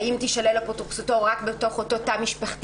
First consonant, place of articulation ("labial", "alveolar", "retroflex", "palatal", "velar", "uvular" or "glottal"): labial